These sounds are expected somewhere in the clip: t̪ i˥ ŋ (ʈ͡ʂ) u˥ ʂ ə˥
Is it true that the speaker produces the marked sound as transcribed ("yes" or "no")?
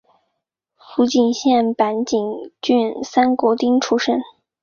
no